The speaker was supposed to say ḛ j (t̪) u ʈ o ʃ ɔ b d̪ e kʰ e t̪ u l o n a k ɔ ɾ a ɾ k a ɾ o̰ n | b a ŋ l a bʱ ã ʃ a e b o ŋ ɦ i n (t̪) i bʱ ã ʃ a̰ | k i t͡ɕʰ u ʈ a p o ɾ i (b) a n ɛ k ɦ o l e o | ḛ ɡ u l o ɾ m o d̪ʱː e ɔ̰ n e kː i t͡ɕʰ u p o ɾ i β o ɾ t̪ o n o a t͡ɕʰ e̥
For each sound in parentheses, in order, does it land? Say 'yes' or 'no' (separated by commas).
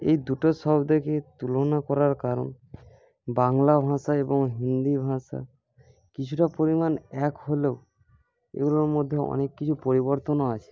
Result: no, no, no